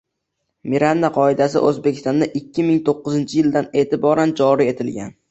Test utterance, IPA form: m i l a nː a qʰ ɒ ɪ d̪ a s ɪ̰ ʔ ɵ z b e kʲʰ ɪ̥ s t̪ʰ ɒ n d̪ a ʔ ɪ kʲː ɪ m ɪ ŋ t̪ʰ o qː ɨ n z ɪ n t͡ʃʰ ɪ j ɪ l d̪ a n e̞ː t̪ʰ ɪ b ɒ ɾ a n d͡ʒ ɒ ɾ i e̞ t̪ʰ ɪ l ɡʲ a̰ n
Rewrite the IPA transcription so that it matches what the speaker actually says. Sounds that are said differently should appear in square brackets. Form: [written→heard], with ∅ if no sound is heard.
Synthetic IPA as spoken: m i [l→ɾ] a nː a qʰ ɒ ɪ d̪ a s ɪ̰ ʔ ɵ z b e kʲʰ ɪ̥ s [t̪ʰ→t̪] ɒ n d̪ a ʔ ɪ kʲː ɪ m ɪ ŋ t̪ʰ o qː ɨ [n→∅] z ɪ n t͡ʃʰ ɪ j ɪ l d̪ a n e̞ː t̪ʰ ɪ b ɒ ɾ a n d͡ʒ ɒ ɾ i e̞ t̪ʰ ɪ l ɡʲ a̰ n